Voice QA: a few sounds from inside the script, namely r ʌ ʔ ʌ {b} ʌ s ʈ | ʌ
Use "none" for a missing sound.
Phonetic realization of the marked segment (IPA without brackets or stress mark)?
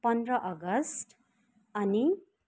ɡ